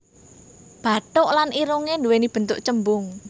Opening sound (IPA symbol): b̥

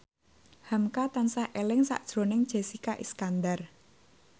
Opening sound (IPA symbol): h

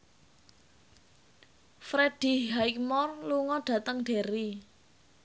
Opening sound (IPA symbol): f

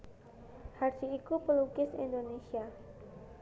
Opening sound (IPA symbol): h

